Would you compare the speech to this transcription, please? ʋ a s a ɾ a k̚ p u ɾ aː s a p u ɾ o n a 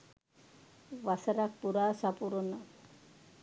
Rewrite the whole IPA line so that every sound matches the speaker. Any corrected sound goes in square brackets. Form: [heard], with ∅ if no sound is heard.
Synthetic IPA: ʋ a s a ɾ a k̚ p u ɾ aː s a p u ɾ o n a